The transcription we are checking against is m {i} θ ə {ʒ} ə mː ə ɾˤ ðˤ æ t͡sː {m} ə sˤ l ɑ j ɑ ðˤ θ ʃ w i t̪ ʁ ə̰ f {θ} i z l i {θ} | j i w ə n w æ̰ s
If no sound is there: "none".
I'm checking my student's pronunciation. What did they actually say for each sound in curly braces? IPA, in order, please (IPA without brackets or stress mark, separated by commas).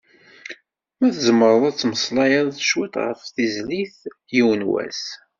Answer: æ, z, m, θ, θ